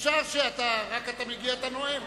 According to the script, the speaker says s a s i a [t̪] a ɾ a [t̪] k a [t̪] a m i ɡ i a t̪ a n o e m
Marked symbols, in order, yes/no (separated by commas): yes, no, yes